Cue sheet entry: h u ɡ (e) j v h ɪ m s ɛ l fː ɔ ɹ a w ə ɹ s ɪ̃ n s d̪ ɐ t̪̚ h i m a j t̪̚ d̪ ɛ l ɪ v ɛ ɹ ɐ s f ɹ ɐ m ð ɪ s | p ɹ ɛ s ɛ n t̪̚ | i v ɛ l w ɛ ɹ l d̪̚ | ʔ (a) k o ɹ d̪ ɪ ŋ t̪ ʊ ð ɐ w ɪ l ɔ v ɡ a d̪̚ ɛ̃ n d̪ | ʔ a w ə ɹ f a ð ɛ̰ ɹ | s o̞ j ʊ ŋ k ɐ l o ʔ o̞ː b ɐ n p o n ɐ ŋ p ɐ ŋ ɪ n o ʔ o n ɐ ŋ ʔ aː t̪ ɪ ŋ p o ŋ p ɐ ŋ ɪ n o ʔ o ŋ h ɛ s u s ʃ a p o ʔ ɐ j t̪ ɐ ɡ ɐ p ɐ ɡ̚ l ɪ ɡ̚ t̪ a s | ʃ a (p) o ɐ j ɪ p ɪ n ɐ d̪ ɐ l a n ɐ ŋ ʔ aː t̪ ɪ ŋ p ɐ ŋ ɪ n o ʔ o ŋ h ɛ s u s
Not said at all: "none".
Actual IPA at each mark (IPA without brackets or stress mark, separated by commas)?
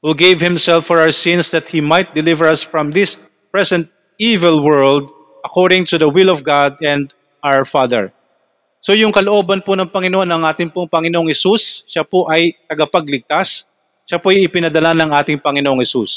e, ɐ, p